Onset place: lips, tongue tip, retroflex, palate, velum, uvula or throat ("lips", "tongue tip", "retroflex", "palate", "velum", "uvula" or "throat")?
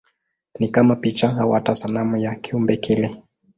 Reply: tongue tip